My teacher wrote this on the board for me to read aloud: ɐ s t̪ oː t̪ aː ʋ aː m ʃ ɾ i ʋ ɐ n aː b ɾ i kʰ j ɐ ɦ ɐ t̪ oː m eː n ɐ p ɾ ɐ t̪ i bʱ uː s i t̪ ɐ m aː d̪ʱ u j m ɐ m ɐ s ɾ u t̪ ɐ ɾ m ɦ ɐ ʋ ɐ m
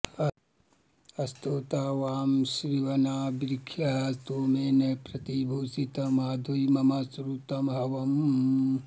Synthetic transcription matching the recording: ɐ s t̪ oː t̪ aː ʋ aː m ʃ ɾ i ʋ ɐ n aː b ɾ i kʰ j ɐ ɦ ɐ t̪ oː m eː n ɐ p ɾ ɐ t̪ i bʱ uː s i t̪ ɐ m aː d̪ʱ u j m ɐ m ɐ s ɾ u t̪ ɐ m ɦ ɐ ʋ ɐ m